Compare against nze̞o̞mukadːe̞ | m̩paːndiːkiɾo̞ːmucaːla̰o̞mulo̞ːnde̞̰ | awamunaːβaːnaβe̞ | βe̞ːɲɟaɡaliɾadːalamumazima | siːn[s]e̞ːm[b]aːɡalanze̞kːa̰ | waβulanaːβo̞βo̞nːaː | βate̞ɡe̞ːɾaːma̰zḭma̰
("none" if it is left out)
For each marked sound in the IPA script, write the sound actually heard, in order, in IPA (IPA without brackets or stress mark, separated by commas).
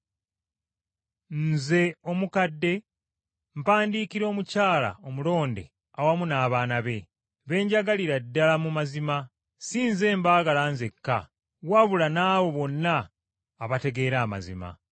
z, b